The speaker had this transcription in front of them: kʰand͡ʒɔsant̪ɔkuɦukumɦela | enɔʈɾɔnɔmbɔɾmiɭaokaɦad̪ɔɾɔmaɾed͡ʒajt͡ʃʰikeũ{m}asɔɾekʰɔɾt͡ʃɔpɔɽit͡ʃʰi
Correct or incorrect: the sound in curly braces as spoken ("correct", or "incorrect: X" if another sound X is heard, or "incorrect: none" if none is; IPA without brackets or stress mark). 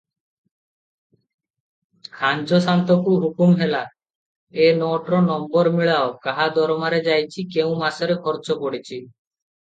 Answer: correct